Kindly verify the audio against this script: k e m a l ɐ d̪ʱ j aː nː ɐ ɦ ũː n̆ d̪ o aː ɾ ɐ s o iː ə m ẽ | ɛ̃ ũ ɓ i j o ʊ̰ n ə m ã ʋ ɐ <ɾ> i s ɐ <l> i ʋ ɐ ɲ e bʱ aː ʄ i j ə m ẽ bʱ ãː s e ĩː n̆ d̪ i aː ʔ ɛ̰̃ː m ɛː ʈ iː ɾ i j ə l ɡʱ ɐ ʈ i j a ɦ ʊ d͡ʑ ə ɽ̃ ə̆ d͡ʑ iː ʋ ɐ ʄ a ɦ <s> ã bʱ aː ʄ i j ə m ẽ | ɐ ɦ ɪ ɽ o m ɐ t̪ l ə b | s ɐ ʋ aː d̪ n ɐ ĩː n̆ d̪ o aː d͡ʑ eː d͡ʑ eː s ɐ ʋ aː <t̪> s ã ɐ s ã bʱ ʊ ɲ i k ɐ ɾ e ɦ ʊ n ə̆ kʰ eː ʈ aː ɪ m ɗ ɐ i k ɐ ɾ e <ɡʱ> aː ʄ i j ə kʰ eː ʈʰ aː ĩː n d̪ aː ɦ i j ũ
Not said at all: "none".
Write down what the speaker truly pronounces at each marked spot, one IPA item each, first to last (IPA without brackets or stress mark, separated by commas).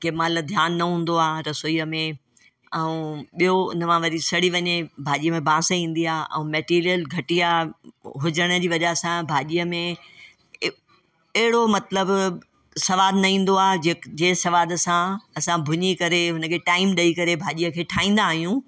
ɾ, ɽ, s, d̪, bʱ